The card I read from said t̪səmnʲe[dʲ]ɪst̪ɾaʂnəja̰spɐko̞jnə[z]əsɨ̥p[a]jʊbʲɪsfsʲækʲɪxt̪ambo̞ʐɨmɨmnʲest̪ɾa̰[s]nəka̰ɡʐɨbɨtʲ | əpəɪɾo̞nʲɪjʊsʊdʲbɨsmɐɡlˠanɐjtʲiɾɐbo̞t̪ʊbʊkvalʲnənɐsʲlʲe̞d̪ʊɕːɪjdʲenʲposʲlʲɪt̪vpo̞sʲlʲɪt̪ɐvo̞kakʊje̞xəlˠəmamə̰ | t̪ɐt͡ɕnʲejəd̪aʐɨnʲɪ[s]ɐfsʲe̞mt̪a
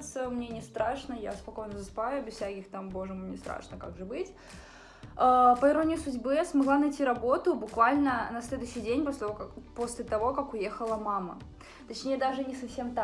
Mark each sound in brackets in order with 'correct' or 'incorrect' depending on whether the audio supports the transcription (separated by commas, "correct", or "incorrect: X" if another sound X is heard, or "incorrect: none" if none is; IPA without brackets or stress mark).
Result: incorrect: nʲ, correct, correct, incorrect: ʂ, correct